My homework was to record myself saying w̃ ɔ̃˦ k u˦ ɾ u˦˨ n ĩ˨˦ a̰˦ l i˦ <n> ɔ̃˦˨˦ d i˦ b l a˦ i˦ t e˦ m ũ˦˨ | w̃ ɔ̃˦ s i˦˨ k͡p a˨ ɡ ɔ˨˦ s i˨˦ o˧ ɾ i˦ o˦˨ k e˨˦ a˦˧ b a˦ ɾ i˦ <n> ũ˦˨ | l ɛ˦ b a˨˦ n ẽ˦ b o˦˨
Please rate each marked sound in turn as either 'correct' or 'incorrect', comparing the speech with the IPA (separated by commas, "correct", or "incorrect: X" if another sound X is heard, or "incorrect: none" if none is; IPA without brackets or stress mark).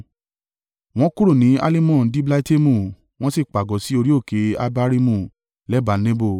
incorrect: m, incorrect: m